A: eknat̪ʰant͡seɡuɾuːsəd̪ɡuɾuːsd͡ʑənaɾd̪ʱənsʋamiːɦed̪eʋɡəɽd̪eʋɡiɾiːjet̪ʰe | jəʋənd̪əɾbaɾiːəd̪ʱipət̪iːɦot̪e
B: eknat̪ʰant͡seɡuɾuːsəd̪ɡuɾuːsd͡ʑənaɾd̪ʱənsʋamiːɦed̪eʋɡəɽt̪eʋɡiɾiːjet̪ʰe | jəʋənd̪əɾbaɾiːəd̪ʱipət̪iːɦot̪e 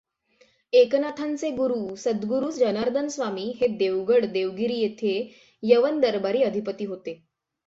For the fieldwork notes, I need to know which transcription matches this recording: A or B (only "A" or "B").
A